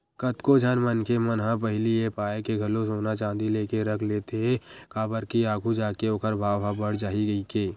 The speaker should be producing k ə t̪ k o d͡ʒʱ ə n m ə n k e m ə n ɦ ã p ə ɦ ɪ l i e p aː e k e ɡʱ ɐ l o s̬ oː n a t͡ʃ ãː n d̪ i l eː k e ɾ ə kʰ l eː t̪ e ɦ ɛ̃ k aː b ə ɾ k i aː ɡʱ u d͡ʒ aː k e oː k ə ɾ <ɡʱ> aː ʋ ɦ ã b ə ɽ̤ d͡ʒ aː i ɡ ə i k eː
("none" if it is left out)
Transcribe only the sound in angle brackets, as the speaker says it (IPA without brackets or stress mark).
bʱ